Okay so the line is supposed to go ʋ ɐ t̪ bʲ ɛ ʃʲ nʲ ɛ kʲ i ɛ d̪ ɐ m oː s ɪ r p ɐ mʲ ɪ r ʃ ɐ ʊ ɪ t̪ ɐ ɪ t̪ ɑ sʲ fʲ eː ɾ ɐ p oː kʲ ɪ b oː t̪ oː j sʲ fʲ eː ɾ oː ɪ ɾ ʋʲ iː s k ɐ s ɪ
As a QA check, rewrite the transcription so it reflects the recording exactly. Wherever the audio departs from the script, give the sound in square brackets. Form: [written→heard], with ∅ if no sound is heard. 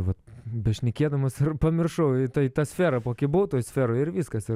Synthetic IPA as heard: ʋ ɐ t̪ bʲ ɛ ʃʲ nʲ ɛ kʲ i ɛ d̪ ɐ m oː s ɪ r p ɐ mʲ ɪ r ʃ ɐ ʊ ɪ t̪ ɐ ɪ t̪ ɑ sʲ fʲ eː ɾ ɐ p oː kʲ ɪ b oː t̪ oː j sʲ fʲ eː ɾ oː ɪ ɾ ʋʲ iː s k ɐ s ɪ

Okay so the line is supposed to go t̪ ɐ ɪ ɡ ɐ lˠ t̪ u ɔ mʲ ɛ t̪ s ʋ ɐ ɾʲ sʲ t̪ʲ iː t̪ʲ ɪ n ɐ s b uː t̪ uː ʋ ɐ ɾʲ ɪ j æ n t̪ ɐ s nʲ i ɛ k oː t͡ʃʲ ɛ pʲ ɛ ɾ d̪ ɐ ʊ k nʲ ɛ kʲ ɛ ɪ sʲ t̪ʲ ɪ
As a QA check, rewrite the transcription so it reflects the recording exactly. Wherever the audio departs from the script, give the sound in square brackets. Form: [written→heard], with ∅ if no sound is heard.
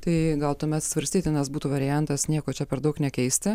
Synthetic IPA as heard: t̪ ɐ ɪ ɡ ɐ lˠ t̪ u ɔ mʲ ɛ t̪ s ʋ ɐ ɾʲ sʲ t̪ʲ iː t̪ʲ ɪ n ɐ s b uː t̪ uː ʋ ɐ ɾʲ ɪ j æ n t̪ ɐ s nʲ i ɛ k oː t͡ʃʲ ɛ pʲ ɛ ɾ d̪ ɐ ʊ k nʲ ɛ kʲ ɛ ɪ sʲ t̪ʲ ɪ

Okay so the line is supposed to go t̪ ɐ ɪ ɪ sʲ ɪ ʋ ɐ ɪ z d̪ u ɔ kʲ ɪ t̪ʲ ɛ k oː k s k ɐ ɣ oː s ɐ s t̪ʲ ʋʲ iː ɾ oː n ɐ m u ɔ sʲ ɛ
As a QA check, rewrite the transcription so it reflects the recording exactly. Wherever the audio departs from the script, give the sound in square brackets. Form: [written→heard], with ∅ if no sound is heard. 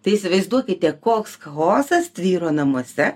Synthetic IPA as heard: t̪ ɐ ɪ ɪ sʲ ɪ ʋ ɐ ɪ z d̪ u ɔ kʲ ɪ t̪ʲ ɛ k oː k s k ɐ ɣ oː s ɐ s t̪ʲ ʋʲ iː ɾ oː n ɐ m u ɔ sʲ ɛ

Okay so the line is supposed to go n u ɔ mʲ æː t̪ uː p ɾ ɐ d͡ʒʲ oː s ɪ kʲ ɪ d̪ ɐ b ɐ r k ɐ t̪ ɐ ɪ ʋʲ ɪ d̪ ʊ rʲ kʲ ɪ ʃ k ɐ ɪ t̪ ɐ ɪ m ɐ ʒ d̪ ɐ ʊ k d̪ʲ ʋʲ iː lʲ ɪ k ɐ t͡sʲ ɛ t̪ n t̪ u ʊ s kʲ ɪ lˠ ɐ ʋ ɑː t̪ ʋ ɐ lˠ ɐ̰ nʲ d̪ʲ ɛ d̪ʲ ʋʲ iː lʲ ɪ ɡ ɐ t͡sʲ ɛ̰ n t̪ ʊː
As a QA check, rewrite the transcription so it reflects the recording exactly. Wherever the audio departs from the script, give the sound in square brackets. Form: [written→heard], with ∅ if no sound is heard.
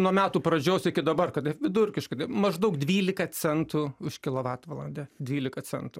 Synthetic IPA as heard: n u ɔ mʲ æː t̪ uː p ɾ ɐ d͡ʒʲ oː s ɪ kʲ ɪ d̪ ɐ b ɐ r k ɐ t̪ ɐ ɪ ʋʲ ɪ d̪ ʊ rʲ kʲ ɪ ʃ k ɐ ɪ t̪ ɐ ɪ m ɐ ʒ d̪ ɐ ʊ k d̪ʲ ʋʲ iː lʲ ɪ k ɐ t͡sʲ ɛ [t̪→∅] n t̪ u ʊ [s→ʃ] kʲ ɪ lˠ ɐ ʋ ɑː t̪ ʋ ɐ lˠ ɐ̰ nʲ d̪ʲ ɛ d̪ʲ ʋʲ iː lʲ ɪ [ɡ→k] ɐ t͡sʲ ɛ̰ n t̪ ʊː

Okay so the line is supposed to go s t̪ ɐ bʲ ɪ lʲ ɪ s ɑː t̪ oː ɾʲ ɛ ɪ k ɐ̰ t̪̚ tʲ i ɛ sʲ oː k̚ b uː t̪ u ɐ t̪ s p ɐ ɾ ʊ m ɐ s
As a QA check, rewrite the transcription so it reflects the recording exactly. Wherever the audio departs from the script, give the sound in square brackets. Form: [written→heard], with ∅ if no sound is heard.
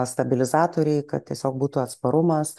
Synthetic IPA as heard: s t̪ ɐ bʲ ɪ lʲ ɪ [s→z] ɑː t̪ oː ɾʲ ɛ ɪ k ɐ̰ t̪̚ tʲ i ɛ sʲ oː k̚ b uː t̪ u ɐ t̪ s p ɐ ɾ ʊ m ɐ s

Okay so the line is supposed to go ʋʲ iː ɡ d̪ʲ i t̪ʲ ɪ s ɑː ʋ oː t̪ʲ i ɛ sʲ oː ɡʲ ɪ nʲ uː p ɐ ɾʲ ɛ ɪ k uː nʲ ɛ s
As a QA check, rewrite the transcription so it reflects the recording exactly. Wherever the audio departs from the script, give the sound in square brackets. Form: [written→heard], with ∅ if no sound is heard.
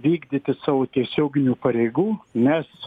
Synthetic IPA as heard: ʋʲ iː ɡ d̪ʲ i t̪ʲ ɪ s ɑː ʋ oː t̪ʲ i ɛ sʲ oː ɡʲ ɪ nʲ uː p ɐ ɾʲ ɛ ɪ [k→ɡ] uː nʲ ɛ s

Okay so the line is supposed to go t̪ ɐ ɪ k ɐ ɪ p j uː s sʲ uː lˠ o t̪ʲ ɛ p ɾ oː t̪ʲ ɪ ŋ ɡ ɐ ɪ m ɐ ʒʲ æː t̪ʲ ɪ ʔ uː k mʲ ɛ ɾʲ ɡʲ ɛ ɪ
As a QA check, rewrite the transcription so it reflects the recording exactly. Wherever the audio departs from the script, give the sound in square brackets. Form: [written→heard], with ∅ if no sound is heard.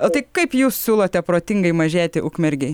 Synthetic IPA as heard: t̪ ɐ ɪ k ɐ ɪ p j uː s sʲ uː lˠ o t̪ʲ ɛ p ɾ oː t̪ʲ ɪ ŋ ɡ ɐ ɪ m ɐ ʒʲ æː t̪ʲ ɪ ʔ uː k mʲ ɛ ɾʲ ɡʲ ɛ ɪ

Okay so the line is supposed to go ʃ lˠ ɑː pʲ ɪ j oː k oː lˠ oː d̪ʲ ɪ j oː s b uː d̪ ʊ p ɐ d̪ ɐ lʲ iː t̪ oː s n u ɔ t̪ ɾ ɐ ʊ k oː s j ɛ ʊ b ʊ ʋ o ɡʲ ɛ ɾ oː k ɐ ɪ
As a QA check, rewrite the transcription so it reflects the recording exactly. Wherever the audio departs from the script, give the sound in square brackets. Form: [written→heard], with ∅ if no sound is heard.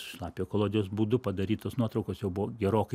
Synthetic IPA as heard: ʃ lˠ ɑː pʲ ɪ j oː k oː lˠ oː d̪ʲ ɪ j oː s b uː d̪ ʊ p ɐ d̪ ɐ [lʲ→ɾʲ] iː t̪ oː s n u ɔ t̪ ɾ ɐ ʊ k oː s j ɛ ʊ b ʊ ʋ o ɡʲ ɛ ɾ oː k ɐ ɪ

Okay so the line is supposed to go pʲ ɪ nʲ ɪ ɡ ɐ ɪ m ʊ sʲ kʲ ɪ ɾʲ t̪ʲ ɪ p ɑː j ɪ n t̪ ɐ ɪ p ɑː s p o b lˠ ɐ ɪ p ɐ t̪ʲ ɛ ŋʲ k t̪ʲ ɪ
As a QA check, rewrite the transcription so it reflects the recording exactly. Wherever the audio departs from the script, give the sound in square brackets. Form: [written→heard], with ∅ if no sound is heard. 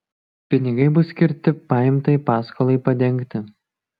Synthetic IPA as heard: pʲ ɪ nʲ ɪ ɡ ɐ ɪ [m→b] ʊ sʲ kʲ ɪ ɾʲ t̪ʲ ɪ p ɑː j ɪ [n→m] t̪ ɐ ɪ p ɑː s [p→k] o [b→∅] lˠ ɐ ɪ p ɐ [t̪ʲ→d̪ʲ] ɛ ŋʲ k t̪ʲ ɪ

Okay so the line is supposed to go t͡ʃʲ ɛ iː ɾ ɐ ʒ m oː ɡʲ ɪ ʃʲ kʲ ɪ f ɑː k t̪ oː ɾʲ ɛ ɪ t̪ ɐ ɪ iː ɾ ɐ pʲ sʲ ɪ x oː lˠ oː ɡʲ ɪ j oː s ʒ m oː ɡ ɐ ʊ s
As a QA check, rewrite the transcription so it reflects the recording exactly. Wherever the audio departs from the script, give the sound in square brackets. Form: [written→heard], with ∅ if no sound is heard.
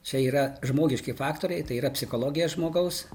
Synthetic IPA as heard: t͡ʃʲ ɛ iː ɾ ɐ ʒ m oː ɡʲ ɪ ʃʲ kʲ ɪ f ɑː k t̪ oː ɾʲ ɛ ɪ t̪ ɐ ɪ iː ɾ ɐ pʲ sʲ ɪ x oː lˠ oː ɡʲ ɪ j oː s ʒ m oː ɡ ɐ ʊ s

